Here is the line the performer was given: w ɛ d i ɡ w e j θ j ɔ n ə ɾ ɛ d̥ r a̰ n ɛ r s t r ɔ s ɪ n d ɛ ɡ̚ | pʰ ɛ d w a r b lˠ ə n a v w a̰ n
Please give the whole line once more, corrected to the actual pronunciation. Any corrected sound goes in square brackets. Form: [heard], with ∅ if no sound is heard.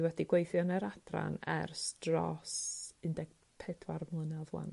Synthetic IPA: w ɛ d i ɡ w e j θ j ɔ n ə ɾ [a] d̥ r a̰ n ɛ r s t r ɔ s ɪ n d ɛ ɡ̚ | pʰ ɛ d w a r [m] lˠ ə n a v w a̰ n